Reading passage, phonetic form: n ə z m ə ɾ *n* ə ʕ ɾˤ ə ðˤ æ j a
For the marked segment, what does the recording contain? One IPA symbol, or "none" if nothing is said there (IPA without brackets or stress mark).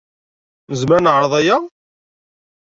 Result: n